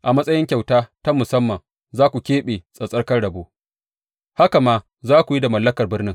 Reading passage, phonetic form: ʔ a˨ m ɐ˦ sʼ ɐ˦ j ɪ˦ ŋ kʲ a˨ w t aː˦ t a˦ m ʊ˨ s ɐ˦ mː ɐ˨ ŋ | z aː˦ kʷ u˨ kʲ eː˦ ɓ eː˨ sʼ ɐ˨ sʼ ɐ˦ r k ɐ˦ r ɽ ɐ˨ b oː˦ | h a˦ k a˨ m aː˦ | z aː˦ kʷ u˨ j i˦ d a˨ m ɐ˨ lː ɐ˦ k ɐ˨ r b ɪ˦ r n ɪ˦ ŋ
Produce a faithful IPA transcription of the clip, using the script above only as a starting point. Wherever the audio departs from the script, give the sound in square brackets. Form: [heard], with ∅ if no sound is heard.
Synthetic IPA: ʔ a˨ m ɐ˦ sʼ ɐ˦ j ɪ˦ ŋ kʲ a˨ w t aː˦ t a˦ m ʊ˨ s ɐ˦ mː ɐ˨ ŋ | z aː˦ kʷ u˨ kʲ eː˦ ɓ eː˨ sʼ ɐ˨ sʼ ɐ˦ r k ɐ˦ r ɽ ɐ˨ b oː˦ | h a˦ k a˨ m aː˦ | z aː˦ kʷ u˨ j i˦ d a˨ m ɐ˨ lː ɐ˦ k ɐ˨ r b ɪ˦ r n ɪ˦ ŋ